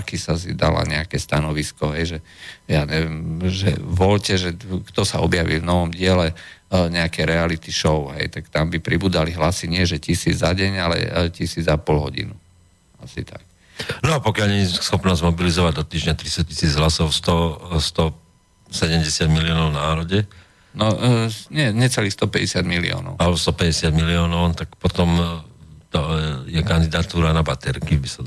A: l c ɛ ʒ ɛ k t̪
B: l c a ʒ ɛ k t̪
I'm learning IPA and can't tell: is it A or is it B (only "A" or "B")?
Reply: A